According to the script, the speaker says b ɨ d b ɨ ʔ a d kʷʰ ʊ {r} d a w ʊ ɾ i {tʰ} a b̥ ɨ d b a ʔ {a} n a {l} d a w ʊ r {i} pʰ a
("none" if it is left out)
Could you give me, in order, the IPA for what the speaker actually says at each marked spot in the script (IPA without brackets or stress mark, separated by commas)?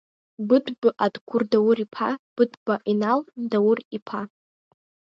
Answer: r, pʰ, i, l, i